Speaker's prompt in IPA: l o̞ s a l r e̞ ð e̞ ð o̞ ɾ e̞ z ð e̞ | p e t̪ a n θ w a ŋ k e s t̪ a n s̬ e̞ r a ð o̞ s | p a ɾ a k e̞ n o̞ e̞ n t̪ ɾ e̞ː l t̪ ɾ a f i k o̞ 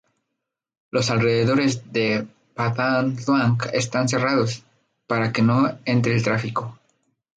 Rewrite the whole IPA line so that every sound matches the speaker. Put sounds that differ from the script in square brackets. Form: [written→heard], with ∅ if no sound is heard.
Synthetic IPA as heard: l o̞ s a l r e̞ ð e̞ ð o̞ ɾ e̞ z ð e̞ | p [e→a] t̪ a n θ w a ŋ k e s t̪ a n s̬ e̞ r a ð o̞ s | p a ɾ a k e̞ n o̞ e̞ n t̪ ɾ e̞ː l t̪ ɾ a f i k o̞